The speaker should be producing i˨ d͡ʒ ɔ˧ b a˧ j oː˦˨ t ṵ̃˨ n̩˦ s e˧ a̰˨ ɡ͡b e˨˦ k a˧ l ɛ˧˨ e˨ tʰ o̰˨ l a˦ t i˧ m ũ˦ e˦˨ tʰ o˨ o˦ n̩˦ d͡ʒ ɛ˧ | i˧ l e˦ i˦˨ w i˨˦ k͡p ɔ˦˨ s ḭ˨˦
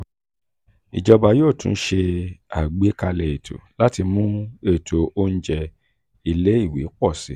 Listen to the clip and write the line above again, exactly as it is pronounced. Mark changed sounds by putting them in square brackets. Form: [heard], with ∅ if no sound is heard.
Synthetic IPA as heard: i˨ d͡ʒ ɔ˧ b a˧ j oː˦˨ t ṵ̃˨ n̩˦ [ʃ] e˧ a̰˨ ɡ͡b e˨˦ k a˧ l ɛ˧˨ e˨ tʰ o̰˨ l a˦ t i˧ m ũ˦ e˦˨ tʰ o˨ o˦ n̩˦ d͡ʒ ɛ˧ | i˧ l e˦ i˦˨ w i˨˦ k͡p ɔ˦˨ s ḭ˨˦